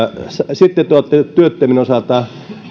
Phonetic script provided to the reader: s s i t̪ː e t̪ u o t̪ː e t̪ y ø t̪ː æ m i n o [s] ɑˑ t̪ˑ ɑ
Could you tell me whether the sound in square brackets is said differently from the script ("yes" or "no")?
no